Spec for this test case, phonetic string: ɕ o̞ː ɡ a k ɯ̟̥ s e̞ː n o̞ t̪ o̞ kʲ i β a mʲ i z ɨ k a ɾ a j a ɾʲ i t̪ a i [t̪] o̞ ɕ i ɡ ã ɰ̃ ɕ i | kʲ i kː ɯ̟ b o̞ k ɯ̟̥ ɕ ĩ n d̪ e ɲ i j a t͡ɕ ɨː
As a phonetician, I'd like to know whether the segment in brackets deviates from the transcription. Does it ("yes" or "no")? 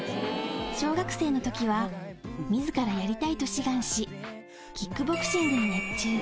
no